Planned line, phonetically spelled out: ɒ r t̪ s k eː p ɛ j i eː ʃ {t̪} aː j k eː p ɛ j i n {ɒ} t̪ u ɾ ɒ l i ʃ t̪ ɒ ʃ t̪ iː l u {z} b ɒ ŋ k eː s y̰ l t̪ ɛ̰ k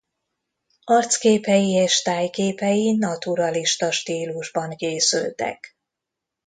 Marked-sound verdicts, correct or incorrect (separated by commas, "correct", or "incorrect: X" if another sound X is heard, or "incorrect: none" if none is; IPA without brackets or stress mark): correct, correct, incorrect: ʒ